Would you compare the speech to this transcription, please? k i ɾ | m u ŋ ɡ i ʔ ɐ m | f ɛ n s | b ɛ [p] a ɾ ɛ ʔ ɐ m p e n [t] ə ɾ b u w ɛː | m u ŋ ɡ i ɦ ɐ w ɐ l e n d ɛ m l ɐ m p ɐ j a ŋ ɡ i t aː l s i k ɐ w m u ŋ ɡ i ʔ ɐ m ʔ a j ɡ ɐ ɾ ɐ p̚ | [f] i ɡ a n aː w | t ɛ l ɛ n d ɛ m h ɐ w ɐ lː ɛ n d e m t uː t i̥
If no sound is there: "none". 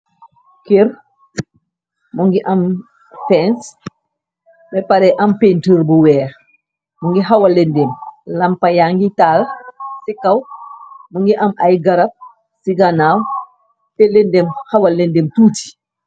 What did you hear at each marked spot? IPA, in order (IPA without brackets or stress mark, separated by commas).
p, t, s